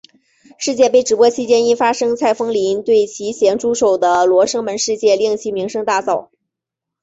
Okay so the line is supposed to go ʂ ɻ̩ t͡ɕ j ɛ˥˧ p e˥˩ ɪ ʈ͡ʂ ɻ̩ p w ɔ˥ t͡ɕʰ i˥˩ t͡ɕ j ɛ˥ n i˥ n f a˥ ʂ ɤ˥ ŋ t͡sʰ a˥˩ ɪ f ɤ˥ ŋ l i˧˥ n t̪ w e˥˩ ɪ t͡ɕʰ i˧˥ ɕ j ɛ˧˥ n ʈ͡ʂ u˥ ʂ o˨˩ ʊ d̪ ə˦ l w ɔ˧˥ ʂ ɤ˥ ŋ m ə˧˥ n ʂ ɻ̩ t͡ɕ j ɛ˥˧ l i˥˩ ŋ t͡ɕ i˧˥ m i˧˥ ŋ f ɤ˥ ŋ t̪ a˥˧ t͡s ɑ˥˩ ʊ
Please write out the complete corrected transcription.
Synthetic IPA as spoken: ʂ ɻ̩ t͡ɕ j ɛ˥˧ p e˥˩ ɪ ʈ͡ʂ ɻ̩ p w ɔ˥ t͡ɕʰ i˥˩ t͡ɕ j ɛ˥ n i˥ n f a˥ ʂ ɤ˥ ŋ t͡sʰ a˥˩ ɪ f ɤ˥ ŋ l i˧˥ n t̪ w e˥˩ ɪ t͡ɕʰ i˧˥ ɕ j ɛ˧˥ n ʈ͡ʂ u˥ ʂ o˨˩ ʊ d̪ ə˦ l w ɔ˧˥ ʂ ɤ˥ ŋ m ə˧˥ n ʂ ɻ̩ t͡ɕ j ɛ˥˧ l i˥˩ ŋ t͡ɕʰ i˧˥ m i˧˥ ŋ ʂ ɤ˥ ŋ t̪ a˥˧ t͡s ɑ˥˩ ʊ